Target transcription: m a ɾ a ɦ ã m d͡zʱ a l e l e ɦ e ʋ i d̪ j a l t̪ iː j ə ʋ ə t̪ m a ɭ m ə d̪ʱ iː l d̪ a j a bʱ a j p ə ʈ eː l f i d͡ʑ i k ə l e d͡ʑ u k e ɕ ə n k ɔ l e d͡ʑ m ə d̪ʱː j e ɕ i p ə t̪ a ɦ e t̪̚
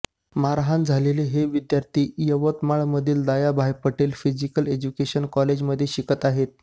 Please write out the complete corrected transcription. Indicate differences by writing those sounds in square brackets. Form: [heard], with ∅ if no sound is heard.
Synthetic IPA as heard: m a ɾ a ɦ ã [n] d͡zʱ a l e l e ɦ e ʋ i d̪ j a [ɾ] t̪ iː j ə ʋ ə t̪ m a ɭ m ə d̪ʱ iː l d̪ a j a bʱ a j p ə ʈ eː l f i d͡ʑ i k ə l e d͡ʑ u k e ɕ ə n k ɔ l e d͡ʑ m ə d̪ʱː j e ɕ i [k] ə t̪ a ɦ e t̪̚

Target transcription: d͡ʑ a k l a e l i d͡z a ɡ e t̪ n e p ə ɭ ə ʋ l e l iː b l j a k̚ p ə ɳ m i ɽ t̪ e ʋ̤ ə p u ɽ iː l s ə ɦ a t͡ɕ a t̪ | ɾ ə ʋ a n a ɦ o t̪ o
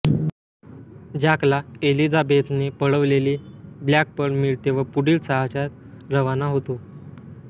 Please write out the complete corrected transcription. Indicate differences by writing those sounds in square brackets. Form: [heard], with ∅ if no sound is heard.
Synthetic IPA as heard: d͡ʑ a k l a e l i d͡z a [b] e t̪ n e p ə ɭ ə ʋ l e l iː b l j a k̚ p ə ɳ m i [ɭ] t̪ e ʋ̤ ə p u ɽ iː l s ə ɦ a t͡ɕ a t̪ | ɾ ə ʋ a n a ɦ o t̪ o

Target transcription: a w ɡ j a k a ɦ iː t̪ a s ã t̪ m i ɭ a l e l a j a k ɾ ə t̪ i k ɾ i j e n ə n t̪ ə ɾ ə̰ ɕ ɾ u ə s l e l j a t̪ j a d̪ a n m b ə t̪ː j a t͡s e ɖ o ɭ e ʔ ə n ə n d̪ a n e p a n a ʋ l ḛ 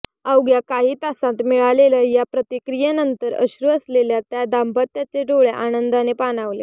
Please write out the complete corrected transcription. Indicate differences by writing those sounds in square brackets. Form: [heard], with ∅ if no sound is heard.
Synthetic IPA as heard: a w ɡ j a k a ɦ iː t̪ a s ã t̪ m i ɭ a l e l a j a [p] ɾ ə t̪ i k ɾ i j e n ə n t̪ ə ɾ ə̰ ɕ ɾ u ə s l e l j a t̪ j a d̪ a [∅] m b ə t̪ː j a t͡s e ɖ o ɭ e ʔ [a] n ə n d̪ a n e p a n a ʋ l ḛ

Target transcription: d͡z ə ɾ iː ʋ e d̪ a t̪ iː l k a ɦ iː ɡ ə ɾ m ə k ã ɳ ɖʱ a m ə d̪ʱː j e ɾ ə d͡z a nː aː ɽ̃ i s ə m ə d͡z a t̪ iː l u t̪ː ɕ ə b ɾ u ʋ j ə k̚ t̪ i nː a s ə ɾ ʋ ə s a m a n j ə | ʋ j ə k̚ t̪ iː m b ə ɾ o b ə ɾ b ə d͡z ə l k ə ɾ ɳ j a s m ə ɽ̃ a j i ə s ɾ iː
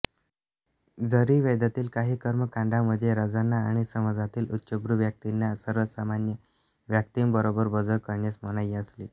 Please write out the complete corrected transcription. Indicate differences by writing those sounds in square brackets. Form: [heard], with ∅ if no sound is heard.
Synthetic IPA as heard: d͡z ə ɾ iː ʋ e d̪ a t̪ iː l k a ɦ iː [k] ə ɾ m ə k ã ɳ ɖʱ a m ə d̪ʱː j e ɾ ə d͡z a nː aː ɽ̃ i s ə m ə d͡z a t̪ iː l u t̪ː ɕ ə b ɾ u ʋ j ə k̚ t̪ i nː a s ə ɾ ʋ ə s a m a n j ə | ʋ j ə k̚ t̪ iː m b ə ɾ o b ə ɾ b ə d͡z ə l k ə ɾ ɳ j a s m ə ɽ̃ a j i ə s [l] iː

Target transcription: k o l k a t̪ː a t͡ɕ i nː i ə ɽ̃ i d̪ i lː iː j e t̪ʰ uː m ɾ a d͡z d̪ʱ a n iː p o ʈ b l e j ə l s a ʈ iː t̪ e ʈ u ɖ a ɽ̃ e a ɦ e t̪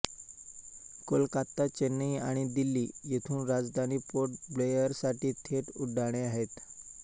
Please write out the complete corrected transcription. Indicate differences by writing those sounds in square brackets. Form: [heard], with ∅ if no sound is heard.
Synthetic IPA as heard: k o l k a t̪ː a t͡ɕ [e] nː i [a] ɽ̃ i d̪ i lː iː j e t̪ʰ uː [n] ɾ a d͡z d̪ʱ a n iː p o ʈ b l e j ə [ɾ] s a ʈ iː [t̪ʰ] e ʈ u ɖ a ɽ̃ e a ɦ e t̪

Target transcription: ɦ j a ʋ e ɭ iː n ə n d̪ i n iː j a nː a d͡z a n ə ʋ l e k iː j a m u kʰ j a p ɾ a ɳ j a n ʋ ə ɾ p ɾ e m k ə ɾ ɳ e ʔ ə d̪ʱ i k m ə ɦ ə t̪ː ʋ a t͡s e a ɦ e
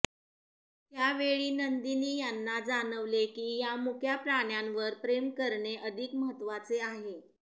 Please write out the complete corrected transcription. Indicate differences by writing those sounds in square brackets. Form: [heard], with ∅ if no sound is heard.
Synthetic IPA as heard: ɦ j a ʋ e ɭ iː n ə n d̪ i n iː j a nː a d͡z a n ə ʋ l e k iː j a m u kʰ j a p ɾ a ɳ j a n ʋ ə ɾ p ɾ e m k ə ɾ ɳ e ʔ ə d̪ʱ i k m ə ɦ ə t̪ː ʋ a t͡s e a ɦ e

